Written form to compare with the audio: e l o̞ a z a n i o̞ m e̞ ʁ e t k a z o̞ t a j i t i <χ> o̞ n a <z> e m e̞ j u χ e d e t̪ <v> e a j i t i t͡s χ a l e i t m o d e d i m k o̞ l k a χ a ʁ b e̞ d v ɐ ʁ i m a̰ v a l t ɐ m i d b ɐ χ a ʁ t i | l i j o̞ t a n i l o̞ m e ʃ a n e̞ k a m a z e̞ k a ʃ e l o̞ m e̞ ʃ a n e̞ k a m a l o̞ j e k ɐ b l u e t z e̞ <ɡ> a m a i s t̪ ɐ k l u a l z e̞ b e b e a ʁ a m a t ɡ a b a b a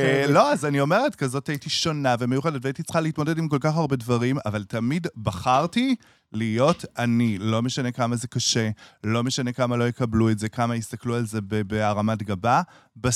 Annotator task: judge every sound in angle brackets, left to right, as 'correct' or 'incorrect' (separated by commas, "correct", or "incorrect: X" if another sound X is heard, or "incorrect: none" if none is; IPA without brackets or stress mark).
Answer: incorrect: ʃ, incorrect: v, correct, incorrect: k